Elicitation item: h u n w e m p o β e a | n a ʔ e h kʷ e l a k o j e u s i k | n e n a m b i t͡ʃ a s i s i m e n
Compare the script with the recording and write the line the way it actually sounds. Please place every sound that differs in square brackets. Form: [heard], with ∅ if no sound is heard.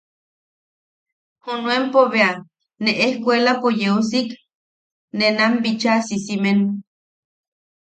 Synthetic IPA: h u n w e m p o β e a | n [e] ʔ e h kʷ e l a [p] o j e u s i k | n e n a m b i t͡ʃ a s i s i m e n